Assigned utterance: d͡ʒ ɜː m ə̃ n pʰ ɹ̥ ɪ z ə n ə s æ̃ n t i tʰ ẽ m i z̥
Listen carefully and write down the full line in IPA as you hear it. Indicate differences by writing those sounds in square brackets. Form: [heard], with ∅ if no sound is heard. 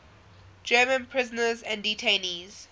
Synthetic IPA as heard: d͡ʒ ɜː m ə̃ n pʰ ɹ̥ ɪ z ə n ə [z] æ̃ n [d] i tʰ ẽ [n] i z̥